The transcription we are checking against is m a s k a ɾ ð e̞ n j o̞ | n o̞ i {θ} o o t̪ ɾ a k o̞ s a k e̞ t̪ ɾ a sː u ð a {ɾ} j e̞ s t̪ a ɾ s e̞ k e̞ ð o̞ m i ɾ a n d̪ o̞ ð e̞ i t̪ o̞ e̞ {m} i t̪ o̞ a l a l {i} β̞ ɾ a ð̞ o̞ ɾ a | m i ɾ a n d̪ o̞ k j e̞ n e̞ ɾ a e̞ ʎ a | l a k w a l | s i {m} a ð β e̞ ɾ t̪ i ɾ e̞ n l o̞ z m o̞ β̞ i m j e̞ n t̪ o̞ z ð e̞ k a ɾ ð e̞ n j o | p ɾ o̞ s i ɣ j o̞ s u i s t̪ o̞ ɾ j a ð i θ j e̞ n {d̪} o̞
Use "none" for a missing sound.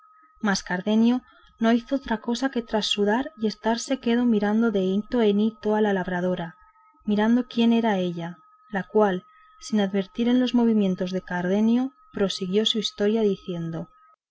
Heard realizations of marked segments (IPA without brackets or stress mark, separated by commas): θ, ɾ, n, a, n, d̪